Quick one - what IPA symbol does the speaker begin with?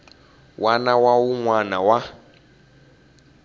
w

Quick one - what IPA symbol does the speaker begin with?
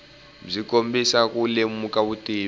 b͡ʐ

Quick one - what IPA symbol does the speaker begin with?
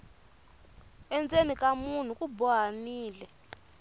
ɛ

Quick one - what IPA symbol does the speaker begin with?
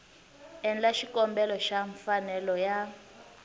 ɛ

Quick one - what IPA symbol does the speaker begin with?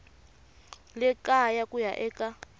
l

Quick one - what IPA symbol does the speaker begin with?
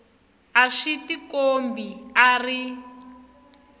a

